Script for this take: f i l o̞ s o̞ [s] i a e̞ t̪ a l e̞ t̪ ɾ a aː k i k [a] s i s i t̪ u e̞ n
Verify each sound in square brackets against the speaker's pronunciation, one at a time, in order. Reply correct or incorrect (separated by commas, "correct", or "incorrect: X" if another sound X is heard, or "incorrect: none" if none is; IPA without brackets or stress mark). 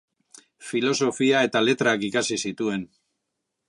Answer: incorrect: f, correct